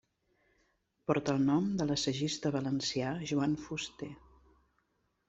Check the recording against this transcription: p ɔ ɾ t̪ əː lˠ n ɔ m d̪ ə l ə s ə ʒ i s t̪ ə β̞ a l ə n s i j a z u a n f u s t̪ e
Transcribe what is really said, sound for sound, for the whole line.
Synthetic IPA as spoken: p ɔ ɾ t̪ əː lˠ n ɔ m d̪ ə l ə s ə ʒ i s t̪ ə β̞ ə l ə n s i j a ʒ u a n f u s t̪ e